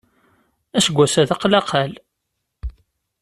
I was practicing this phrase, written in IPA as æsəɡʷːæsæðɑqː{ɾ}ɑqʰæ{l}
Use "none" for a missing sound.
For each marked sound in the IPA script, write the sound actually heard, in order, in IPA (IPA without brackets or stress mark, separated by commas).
l, l